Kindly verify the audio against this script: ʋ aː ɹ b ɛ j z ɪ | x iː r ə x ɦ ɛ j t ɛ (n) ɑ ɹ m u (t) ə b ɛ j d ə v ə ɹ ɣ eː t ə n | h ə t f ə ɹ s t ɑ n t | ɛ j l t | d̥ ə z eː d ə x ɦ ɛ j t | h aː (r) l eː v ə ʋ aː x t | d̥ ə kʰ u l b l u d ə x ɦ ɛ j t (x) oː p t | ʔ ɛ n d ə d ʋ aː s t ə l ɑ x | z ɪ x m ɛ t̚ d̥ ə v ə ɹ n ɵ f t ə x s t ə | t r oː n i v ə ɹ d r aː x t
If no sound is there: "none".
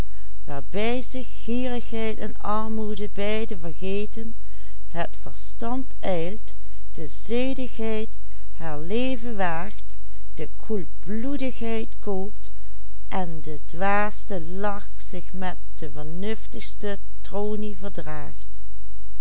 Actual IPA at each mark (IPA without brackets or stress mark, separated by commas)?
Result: n, d, ɹ, k